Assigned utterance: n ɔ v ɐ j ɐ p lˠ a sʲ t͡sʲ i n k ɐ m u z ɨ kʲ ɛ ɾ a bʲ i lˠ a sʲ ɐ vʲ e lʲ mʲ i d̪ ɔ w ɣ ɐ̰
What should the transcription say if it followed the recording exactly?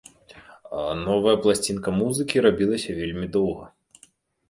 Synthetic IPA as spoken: n ɔ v ɐ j ɐ p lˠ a sʲ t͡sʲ i n k ɐ m u z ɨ kʲ i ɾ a bʲ i lˠ ɐ sʲ ɐ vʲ e lʲ mʲ i d̪ ɔ w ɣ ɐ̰